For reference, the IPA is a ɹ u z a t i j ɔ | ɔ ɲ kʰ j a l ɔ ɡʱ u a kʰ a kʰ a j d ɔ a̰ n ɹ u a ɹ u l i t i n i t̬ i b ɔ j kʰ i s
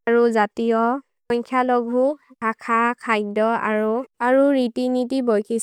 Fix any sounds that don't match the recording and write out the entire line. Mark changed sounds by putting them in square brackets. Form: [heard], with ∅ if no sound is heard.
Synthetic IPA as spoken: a ɹ u z a t i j ɔ | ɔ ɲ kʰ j a l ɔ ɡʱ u a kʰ a kʰ a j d ɔ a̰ [∅] ɹ u a ɹ u [ɹ] i t i n i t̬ i b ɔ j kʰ i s